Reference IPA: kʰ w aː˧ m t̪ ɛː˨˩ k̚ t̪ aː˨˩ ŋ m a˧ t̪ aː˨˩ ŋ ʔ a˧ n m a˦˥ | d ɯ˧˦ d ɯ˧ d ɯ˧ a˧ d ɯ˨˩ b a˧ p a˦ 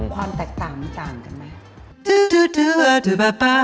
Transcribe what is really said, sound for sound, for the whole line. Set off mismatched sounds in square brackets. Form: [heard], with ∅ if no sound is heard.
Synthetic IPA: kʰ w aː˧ m t̪ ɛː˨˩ k̚ t̪ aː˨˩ ŋ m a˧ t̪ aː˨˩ ŋ [k] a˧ n m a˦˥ | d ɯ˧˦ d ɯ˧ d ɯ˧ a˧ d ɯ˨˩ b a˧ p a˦